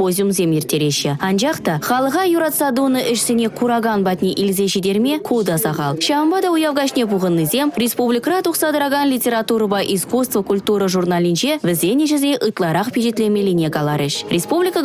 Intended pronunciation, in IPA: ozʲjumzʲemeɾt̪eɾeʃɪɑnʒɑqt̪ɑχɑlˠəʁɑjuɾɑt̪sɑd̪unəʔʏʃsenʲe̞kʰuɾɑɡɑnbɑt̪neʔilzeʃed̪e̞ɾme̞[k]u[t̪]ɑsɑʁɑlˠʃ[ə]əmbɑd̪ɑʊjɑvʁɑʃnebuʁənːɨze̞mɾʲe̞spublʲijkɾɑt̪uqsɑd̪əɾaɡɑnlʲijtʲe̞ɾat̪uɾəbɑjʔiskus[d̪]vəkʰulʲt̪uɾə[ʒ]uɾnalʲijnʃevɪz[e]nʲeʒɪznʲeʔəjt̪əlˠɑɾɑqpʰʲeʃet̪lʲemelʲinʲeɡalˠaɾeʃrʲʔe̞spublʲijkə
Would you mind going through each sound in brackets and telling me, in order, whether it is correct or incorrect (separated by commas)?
incorrect, incorrect, incorrect, incorrect, correct, correct